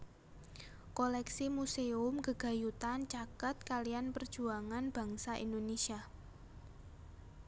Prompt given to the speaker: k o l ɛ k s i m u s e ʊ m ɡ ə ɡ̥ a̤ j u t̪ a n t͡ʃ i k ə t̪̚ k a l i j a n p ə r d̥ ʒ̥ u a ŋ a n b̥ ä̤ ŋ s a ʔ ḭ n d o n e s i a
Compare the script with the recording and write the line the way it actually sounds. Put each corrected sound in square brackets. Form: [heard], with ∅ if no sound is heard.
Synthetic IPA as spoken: k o l ɛ k s i m u s e ʊ m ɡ ə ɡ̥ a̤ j u t̪ a n t͡ʃ [a] k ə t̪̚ k a l i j a n p ə r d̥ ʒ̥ u a ŋ a n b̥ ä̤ ŋ s a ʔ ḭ n d o n e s i a